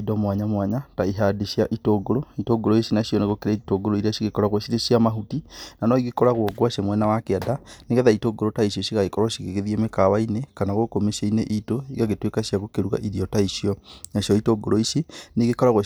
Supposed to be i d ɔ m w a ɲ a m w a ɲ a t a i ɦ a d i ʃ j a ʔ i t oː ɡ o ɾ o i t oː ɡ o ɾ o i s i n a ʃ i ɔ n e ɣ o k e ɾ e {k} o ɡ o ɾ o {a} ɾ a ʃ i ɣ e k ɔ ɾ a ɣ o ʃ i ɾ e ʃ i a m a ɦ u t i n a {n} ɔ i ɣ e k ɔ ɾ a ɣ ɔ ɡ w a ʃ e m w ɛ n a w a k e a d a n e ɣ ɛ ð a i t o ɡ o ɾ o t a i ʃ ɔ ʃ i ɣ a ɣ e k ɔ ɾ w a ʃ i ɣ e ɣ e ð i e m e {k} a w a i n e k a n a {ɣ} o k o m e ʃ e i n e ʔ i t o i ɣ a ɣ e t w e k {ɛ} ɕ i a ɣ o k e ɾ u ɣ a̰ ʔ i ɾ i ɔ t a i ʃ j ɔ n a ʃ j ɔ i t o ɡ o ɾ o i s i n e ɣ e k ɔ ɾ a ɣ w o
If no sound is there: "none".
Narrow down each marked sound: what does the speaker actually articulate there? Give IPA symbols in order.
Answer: t, i, n, k, ɣ, a

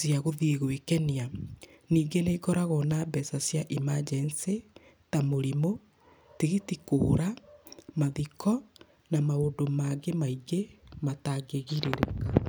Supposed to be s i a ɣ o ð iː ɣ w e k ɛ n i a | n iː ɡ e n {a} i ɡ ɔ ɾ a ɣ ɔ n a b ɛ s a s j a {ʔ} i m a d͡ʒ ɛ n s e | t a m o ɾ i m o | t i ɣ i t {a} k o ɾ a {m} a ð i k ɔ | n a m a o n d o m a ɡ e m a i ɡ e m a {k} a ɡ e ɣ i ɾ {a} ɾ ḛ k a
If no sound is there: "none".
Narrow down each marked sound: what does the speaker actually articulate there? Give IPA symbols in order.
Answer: e, ʔ, i, m, t, e

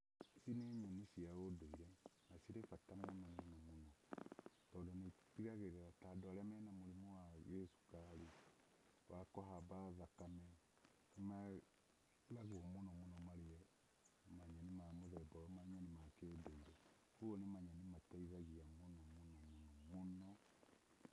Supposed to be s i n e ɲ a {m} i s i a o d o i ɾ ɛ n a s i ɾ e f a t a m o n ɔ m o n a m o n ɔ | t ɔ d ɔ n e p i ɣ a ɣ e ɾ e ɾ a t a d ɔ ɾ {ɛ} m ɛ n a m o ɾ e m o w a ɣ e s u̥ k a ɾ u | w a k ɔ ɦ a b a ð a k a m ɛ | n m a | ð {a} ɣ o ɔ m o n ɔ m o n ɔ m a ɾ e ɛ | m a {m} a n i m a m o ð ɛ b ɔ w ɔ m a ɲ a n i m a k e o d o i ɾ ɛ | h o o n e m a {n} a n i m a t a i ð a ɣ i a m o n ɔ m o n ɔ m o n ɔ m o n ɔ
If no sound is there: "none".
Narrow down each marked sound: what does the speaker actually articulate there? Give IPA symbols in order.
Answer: n, ɛ, a, ɲ, ɲ

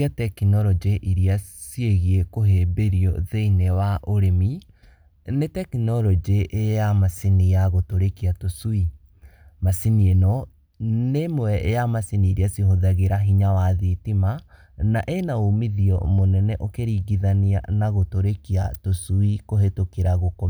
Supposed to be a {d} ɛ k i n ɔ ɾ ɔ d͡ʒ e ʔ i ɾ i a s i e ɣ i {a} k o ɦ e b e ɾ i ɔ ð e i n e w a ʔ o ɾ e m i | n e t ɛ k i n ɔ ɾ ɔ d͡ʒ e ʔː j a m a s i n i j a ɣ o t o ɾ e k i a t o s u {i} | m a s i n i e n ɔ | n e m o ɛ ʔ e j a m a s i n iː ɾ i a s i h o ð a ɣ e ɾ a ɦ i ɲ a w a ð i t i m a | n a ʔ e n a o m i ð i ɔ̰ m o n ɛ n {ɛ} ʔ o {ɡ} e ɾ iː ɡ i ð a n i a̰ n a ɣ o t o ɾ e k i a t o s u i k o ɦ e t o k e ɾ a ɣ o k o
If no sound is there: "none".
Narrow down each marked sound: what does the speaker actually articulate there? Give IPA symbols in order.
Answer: t, e, i, ɛ, k

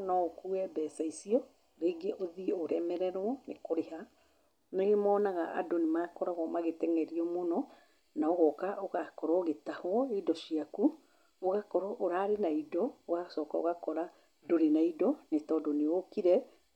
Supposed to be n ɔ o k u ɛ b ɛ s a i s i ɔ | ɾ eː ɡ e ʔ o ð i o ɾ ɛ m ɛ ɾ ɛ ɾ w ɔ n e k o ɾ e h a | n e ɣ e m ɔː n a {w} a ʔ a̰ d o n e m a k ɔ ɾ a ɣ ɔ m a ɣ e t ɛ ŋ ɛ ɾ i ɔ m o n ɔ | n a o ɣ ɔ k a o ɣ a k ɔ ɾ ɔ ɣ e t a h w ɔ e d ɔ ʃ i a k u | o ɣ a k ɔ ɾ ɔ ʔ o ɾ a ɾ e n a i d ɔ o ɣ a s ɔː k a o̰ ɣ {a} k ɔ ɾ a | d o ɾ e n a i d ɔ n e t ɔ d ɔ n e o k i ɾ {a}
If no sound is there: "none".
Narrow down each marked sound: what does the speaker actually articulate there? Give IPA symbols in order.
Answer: ɣ, a, ɛ

